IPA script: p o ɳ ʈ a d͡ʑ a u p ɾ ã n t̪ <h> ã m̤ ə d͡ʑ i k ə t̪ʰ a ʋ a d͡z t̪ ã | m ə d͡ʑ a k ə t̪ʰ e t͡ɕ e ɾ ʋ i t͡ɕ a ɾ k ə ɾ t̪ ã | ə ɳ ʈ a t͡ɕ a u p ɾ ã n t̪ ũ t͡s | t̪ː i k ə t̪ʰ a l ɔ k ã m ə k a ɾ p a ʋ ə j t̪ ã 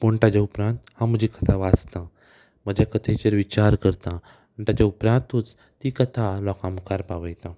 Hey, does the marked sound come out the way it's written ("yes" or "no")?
yes